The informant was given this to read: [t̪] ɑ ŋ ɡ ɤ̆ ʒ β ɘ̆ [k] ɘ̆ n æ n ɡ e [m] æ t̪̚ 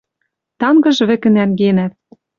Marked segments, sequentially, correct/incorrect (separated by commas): correct, correct, incorrect